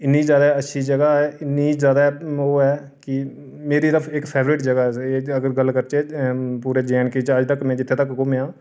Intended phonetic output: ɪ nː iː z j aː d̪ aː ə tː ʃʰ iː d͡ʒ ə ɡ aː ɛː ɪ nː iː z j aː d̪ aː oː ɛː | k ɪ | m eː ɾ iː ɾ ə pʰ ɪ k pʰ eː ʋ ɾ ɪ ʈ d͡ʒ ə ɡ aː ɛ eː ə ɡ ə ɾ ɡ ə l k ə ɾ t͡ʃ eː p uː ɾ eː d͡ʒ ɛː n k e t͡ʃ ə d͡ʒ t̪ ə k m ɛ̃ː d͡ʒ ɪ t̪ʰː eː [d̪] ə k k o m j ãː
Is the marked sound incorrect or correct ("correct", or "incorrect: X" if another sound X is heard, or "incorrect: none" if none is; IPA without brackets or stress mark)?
incorrect: t̪